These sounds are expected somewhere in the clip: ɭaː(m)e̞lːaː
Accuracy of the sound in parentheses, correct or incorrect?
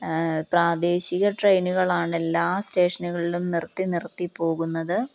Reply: incorrect: ɳ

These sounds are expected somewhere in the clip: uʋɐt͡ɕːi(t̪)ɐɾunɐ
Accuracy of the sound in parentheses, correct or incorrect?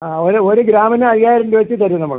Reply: correct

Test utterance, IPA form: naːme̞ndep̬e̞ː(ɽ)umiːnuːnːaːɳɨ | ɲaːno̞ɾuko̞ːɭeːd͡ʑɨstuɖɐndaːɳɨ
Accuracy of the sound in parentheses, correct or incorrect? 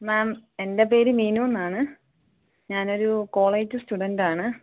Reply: incorrect: ɾ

